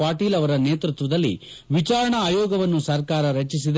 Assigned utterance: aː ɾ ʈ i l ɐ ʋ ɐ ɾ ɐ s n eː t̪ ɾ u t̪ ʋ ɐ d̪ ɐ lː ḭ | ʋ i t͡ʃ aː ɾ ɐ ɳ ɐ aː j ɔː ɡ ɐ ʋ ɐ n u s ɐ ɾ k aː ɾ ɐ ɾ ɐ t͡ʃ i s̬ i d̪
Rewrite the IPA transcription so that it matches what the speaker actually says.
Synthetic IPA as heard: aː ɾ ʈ iː l ɐ ʋ ɐ ɾ ɐ n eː t̪ ɾ u t̪ ʋ ɐ d̪ ɐ lː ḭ | ʋ i t͡ʃ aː ɾ ɐ ɳ ɐ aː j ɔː ɡ ɐ ʋ ɐ nː u s ɐ ɾ k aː ɾ ɐ ɾ ɐ t͡ʃ i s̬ i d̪